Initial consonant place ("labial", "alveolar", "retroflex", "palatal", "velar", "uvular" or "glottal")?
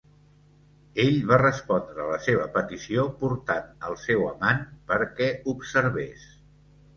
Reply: palatal